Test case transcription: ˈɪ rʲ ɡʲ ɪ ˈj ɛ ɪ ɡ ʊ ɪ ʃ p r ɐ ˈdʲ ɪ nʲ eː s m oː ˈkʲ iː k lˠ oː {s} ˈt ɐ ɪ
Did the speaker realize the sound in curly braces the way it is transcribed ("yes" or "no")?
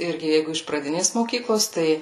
yes